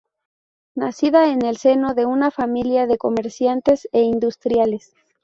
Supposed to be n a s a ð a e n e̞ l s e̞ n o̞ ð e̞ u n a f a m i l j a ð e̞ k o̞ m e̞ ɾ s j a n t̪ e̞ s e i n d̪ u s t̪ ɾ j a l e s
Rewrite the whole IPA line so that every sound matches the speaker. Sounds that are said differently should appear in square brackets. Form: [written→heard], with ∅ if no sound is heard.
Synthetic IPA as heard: n a s [a→i] ð a e n e̞ l s e̞ n o̞ ð e̞ u n a f a m i l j a ð e̞ k o̞ m e̞ ɾ s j a n t̪ e̞ s e i n d̪ u s t̪ ɾ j a l e s